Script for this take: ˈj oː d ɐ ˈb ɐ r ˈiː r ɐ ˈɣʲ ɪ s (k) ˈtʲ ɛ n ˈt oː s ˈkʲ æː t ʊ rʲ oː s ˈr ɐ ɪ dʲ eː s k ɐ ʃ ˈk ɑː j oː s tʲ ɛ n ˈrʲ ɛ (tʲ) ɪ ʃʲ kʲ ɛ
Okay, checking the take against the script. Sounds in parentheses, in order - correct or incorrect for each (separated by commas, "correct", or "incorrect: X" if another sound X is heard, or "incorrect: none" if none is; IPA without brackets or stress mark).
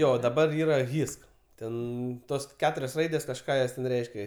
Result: correct, incorrect: none